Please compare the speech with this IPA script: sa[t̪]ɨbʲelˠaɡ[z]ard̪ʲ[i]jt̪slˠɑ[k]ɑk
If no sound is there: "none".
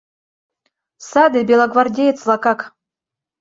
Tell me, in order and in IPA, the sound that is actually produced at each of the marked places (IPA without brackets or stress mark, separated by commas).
d̪, v, e, k